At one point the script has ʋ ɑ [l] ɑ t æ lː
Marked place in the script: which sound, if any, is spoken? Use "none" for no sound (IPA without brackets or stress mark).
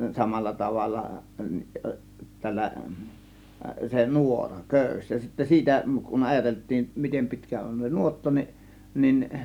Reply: lː